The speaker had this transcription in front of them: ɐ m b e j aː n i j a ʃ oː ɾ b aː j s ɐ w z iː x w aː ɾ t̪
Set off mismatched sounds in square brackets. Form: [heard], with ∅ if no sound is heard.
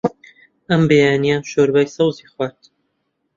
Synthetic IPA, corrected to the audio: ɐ m b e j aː n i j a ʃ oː ɾ b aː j s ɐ w z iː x w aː ɾ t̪